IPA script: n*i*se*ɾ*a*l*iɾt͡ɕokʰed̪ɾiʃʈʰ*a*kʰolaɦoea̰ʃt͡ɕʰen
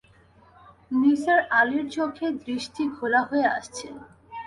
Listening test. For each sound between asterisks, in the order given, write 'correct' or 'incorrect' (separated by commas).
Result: correct, correct, correct, incorrect